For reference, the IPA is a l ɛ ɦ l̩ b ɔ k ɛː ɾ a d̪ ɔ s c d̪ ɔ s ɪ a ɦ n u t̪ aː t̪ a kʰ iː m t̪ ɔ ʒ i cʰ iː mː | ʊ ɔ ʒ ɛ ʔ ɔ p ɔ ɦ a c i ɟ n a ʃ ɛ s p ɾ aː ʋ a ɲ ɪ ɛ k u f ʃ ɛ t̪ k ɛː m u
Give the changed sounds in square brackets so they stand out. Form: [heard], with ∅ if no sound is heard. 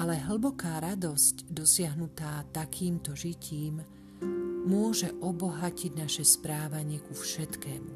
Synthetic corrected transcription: a l ɛ ɦ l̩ b ɔ k [aː] ɾ a d̪ ɔ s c d̪ ɔ s ɪ a ɦ n u t̪ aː t̪ a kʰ iː m t̪ ɔ ʒ i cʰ iː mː | ʊ ɔ ʒ ɛ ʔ ɔ [b] ɔ ɦ a c i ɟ n a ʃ ɛ s p ɾ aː ʋ a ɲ ɪ ɛ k u f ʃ ɛ t̪ k ɛː m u